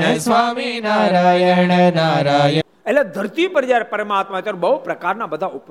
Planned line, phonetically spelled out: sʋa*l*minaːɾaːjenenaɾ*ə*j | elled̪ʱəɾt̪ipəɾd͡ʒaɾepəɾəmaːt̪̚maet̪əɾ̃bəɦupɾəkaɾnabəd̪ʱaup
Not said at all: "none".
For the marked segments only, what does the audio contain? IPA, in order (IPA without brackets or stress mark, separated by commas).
none, a